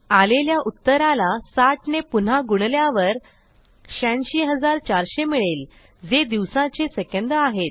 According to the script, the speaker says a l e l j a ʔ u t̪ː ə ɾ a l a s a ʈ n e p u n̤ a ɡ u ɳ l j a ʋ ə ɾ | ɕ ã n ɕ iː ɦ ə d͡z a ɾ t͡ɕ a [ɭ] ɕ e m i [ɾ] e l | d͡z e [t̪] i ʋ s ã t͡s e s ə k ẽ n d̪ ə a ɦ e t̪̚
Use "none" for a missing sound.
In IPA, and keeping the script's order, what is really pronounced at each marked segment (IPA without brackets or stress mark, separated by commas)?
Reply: ɾ, ɭ, d̪